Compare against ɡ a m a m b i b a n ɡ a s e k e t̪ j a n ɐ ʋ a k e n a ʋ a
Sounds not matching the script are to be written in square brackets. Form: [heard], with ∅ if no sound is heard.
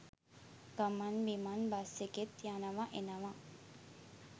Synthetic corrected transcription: ɡ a m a [n] b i [m] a n [b] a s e k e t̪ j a n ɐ ʋ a [ʔ] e n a ʋ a